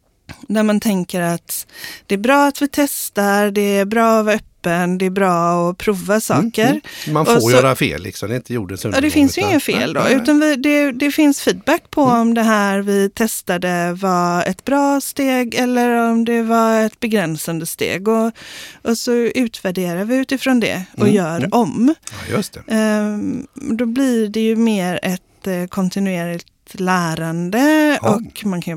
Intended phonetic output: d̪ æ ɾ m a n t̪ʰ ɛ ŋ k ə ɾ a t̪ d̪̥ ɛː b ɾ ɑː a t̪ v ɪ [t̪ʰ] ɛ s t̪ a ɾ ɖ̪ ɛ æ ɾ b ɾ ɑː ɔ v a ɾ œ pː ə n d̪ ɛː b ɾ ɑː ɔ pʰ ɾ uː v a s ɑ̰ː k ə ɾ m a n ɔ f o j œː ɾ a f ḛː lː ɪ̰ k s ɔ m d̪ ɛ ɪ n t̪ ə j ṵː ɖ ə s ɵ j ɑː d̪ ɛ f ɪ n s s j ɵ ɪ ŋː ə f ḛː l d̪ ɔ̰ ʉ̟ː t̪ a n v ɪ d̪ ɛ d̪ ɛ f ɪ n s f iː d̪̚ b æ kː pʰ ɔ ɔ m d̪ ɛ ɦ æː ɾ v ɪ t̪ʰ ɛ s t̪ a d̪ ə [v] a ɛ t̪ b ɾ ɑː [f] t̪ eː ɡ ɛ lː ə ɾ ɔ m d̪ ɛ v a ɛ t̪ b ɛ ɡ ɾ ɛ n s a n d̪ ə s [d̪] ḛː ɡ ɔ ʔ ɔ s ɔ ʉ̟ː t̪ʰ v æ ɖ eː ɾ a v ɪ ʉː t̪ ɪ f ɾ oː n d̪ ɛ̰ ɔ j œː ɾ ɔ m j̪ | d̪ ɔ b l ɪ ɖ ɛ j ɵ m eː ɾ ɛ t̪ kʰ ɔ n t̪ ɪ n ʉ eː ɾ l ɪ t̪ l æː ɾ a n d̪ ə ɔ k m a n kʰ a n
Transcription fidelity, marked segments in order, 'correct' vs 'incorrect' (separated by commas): correct, correct, incorrect, incorrect